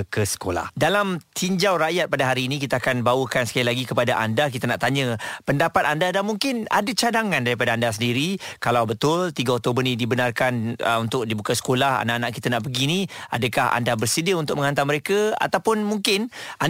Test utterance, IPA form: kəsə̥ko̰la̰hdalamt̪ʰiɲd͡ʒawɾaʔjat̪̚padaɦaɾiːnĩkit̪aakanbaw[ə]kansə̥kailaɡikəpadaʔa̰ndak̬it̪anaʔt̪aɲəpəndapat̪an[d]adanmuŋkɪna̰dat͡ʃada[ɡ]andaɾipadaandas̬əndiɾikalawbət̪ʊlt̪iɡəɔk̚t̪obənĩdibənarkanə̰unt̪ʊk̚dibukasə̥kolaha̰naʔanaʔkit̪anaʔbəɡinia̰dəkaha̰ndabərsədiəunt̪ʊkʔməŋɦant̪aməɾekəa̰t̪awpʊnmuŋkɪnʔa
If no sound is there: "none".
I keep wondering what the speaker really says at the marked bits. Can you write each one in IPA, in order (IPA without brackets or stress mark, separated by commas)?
ə, d, ŋ